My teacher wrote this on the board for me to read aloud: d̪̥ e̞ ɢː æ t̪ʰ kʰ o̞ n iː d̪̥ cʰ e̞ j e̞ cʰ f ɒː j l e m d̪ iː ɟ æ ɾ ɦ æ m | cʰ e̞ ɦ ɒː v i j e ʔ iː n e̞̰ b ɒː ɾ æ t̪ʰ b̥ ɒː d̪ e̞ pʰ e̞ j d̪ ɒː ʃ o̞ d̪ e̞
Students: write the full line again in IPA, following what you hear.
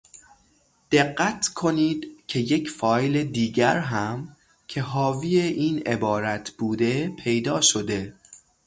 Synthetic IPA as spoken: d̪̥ e̞ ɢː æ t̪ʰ kʰ o̞ n iː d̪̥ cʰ e̞ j e̞ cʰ f ɒː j l e d̪ iː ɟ æ ɾ ɦ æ m | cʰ e̞ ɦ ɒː v i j e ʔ iː n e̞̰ b ɒː ɾ æ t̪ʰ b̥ uː d̪ e̞ pʰ e̞ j d̪ ɒː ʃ o̞ d̪ e̞